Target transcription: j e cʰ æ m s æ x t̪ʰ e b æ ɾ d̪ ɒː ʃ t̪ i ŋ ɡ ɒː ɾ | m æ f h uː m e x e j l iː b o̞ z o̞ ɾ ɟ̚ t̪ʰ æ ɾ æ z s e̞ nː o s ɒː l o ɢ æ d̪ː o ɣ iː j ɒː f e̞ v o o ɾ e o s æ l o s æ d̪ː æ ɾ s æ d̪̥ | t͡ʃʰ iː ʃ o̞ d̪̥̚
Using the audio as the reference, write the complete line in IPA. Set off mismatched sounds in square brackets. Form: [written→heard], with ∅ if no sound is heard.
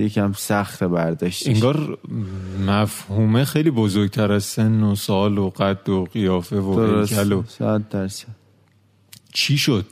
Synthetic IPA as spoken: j e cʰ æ m s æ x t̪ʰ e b æ ɾ d̪ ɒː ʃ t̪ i ŋ ɡ ɒː ɾ | m æ f h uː m e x e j l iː b o̞ z o̞ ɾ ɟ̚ t̪ʰ æ ɾ æ z s e̞ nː o s ɒː l o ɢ æ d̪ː o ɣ [iː→i] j ɒː f e̞ v o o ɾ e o s æ l o s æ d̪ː æ ɾ s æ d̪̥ | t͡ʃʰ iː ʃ o̞ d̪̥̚